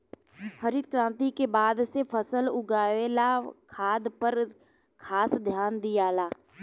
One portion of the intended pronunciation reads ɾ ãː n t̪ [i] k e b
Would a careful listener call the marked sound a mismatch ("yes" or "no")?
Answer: no